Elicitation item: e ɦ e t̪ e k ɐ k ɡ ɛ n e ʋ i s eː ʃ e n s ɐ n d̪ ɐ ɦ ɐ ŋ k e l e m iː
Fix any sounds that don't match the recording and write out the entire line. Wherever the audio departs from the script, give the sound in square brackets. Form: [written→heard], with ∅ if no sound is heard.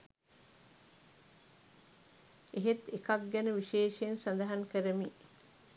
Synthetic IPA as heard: e ɦ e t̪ e k ɐ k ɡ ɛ n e ʋ i [s→ʃ] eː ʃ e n s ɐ n d̪ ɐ ɦ ɐ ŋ k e [l→ɾ] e m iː